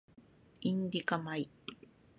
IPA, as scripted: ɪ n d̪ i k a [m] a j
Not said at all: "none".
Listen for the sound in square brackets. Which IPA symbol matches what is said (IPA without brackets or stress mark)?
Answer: m